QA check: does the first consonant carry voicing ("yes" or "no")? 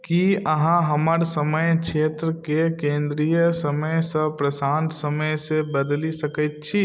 no